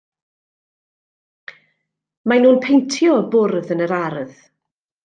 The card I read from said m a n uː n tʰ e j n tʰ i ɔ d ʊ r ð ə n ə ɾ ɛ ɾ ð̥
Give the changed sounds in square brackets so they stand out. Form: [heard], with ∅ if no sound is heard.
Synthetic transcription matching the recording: m a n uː n [pʰ] e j n tʰ [j] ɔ [b] ʊ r ð ə n ə ɾ [a] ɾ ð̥